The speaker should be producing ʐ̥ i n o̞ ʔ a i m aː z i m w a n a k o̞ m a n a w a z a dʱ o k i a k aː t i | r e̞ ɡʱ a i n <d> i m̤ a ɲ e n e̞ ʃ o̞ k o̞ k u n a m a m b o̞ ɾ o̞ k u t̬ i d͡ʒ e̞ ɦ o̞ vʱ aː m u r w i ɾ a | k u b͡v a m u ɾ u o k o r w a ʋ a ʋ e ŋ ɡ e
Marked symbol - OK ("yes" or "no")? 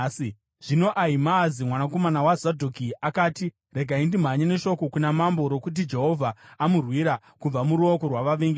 yes